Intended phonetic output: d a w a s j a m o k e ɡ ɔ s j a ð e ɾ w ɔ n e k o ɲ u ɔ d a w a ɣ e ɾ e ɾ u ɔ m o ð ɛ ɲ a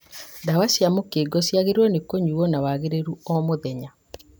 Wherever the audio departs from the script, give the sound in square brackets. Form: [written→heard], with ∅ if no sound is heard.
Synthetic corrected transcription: d a w a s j a m o k e ɡ ɔ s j a [ð→ɣ] e ɾ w ɔ n e k o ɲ u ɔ [d→n] a w a ɣ e ɾ e ɾ u ɔ m o ð ɛ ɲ a